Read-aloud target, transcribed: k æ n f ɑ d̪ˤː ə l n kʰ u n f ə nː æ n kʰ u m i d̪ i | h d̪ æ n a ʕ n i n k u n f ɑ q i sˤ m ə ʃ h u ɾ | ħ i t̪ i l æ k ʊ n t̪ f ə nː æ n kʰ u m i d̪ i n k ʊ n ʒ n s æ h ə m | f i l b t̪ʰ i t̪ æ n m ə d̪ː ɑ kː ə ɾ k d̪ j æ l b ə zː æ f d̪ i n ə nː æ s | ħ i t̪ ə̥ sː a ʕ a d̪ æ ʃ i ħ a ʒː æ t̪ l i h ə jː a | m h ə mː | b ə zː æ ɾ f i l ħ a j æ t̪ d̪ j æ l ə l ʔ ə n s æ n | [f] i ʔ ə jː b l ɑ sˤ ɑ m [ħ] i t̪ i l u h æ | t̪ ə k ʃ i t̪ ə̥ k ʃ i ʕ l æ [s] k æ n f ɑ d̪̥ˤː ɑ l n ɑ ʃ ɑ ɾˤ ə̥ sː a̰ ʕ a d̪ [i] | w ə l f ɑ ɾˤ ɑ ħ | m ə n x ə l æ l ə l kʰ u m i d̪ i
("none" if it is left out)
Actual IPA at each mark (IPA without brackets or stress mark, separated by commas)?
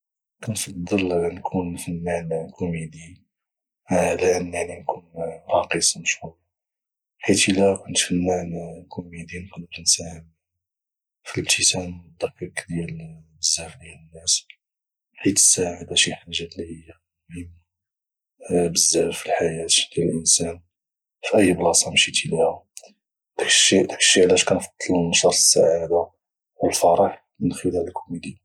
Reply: f, ʃ, ʃ, a